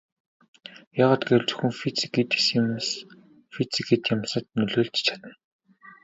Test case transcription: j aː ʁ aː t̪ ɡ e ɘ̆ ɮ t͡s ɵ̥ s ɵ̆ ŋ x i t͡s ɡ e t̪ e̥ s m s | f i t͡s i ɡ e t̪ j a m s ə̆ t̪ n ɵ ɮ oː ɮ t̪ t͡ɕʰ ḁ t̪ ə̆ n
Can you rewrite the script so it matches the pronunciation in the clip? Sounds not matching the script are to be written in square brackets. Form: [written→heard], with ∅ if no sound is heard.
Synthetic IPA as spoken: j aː ʁ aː t̪ ɡ e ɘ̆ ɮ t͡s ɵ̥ [s→x] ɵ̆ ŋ [x→f] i t͡s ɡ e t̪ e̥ s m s | f i t͡s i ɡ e t̪ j a m s ə̆ t̪ n ɵ ɮ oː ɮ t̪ t͡ɕʰ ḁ t̪ ə̆ n